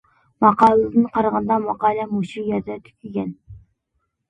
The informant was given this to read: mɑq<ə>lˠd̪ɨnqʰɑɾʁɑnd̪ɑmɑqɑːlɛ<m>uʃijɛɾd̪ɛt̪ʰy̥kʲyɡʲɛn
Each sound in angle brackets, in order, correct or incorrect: incorrect: ɑ, correct

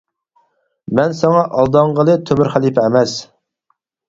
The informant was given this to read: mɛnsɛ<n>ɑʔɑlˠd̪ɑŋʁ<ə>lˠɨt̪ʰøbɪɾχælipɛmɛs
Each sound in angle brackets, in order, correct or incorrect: incorrect: ŋ, correct

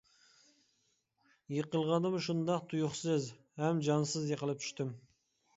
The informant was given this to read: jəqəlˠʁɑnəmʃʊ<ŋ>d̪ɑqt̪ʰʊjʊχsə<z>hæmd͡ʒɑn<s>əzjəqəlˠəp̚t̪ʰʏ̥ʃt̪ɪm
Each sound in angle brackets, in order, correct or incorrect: incorrect: n, correct, correct

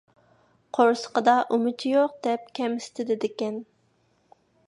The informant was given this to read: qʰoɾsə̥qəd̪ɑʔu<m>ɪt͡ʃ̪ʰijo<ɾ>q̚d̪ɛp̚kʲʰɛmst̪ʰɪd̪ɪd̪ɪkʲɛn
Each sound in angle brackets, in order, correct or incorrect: correct, incorrect: none

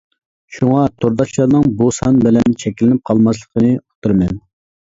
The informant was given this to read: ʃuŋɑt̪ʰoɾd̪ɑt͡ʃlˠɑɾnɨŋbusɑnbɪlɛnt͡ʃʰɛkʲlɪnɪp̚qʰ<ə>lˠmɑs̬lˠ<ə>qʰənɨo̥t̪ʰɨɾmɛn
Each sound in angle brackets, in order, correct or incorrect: incorrect: ɑ, correct

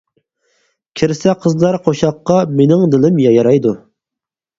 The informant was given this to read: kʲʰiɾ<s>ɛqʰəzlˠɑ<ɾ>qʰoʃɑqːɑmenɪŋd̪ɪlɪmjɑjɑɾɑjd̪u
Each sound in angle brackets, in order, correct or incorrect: correct, correct

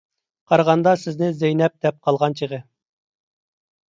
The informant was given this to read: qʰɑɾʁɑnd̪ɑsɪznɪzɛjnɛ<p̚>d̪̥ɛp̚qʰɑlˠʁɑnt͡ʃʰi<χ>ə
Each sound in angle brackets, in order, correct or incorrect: correct, incorrect: ʁ

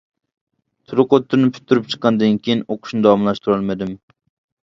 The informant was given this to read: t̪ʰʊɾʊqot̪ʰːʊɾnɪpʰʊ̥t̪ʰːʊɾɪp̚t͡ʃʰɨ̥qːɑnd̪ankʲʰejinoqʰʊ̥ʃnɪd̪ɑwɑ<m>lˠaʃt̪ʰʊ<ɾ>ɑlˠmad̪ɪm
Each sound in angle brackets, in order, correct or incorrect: correct, correct

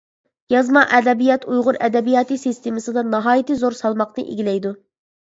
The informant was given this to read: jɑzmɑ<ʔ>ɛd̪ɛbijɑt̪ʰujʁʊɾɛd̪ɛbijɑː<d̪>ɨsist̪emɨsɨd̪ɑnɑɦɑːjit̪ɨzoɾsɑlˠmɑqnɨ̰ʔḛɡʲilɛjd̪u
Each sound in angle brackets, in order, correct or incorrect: correct, incorrect: t̪

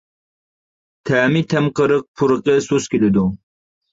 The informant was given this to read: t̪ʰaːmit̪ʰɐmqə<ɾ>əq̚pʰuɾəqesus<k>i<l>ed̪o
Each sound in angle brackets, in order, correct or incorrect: correct, correct, correct

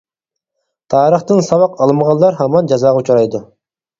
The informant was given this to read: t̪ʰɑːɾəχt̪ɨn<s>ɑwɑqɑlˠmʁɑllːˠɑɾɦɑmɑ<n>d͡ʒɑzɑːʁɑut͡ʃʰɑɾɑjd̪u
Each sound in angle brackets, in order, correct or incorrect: correct, correct

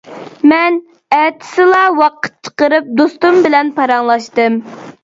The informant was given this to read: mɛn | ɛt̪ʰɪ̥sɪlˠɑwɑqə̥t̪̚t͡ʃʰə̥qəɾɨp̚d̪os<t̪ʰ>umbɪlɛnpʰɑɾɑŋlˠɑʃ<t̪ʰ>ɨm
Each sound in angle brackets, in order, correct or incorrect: incorrect: t̪, incorrect: t̪

